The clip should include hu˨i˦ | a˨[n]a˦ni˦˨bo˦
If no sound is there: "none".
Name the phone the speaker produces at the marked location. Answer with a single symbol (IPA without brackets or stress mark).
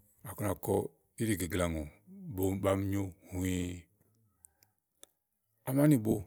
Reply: m